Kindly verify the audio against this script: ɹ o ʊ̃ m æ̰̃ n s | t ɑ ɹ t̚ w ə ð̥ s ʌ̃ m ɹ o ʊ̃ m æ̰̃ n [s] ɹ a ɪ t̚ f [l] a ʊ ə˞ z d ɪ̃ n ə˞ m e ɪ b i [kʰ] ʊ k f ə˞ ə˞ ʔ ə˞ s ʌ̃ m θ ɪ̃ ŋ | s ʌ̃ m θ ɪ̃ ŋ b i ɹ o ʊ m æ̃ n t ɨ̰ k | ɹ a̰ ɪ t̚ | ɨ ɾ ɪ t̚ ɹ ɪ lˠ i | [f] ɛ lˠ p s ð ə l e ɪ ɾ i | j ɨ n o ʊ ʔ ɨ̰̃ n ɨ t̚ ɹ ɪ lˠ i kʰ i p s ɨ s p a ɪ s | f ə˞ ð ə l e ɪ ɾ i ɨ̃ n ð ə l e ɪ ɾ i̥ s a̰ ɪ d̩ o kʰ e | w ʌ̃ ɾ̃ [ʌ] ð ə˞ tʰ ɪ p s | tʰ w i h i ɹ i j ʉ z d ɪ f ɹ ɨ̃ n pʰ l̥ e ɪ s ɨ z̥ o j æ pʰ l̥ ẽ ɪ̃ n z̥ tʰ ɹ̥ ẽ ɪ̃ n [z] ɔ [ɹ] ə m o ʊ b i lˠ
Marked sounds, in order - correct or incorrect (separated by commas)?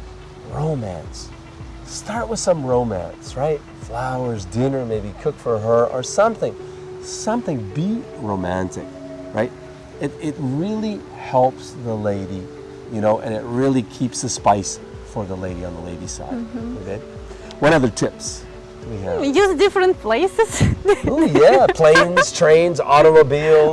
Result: correct, correct, correct, incorrect, correct, correct, incorrect